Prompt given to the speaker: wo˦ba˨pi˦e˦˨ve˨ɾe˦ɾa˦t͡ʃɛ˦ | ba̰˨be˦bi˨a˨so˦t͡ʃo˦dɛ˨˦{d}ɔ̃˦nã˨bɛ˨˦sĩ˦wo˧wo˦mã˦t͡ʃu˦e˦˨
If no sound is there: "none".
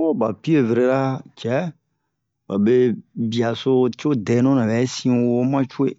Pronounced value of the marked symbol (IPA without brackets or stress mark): n